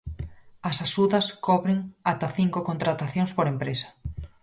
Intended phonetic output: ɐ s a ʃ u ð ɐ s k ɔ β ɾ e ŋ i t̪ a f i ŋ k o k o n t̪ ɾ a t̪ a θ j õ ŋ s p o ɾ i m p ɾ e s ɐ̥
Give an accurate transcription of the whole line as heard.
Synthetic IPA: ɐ s a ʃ u ð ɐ s k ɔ β ɾ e ŋ a t̪ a θ i ŋ k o k o n t̪ ɾ a t̪ a θ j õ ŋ s p o ɾ e m p ɾ e s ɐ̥

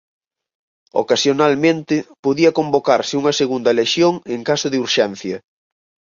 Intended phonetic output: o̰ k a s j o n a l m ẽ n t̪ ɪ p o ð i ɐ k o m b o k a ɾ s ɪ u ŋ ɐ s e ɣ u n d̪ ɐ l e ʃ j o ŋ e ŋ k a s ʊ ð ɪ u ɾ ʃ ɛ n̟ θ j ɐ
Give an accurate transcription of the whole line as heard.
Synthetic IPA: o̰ k a s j o n a l m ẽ n t̪ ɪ p o ð i ɐ k o m b o k a ɾ s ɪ u ŋ ɐ s e ɣ u n d̪ ɐ l e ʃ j o ŋ e ŋ k a s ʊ ð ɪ u ɾ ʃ ɛ n̟ θ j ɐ

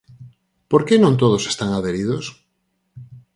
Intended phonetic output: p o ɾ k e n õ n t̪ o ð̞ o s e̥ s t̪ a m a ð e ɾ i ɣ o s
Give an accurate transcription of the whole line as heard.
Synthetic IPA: p o ɾ k e n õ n t̪ o ð̞ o s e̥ s t̪ a ŋ a ð e ɾ i ð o s

